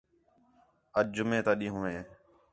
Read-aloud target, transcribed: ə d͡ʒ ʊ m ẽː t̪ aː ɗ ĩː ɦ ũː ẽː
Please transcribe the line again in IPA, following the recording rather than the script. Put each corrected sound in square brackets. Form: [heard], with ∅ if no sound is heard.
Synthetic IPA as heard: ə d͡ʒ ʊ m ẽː t̪ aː ɗ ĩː ɦ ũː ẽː